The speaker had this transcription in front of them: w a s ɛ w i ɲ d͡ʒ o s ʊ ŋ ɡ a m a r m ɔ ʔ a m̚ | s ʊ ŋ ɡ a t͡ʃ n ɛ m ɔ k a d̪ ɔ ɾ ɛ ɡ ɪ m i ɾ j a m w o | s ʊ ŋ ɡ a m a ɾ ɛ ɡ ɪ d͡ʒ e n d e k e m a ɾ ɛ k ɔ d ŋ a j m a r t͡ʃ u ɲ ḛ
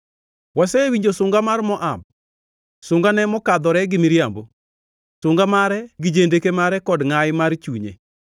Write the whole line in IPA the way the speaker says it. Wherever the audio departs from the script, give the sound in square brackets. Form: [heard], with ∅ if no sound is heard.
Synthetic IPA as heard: w a s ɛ w i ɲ d͡ʒ o s ʊ ŋ ɡ a m a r m ɔ ʔ a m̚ | s ʊ ŋ ɡ a [∅] n ɛ m ɔ k a d̪ ɔ ɾ ɛ ɡ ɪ m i ɾ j a m [b] o | s ʊ ŋ ɡ a m a ɾ ɛ ɡ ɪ d͡ʒ e n d e k e m a ɾ ɛ k ɔ d ŋ a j m a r t͡ʃ u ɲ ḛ